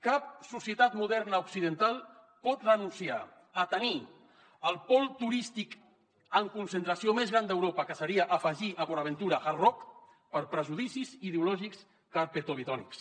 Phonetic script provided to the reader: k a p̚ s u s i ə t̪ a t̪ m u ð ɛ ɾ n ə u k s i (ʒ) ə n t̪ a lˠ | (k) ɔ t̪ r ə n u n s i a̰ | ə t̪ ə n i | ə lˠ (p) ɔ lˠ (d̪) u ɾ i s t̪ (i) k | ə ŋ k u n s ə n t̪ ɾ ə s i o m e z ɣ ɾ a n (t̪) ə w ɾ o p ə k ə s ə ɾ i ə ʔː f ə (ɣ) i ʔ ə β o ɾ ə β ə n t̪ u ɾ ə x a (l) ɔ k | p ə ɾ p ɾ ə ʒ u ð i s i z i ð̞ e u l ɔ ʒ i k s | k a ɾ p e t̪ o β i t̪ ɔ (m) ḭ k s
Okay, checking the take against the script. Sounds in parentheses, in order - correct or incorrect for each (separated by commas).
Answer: incorrect, incorrect, correct, incorrect, correct, incorrect, incorrect, incorrect, incorrect